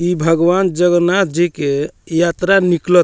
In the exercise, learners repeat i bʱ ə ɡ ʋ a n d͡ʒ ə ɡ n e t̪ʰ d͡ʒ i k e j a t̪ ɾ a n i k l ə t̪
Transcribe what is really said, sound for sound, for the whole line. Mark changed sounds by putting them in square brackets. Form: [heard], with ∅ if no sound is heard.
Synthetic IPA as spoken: i bʱ ə ɡ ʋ a n d͡ʒ ə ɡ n [a] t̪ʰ d͡ʒ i k e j a t̪ ɾ a n i k l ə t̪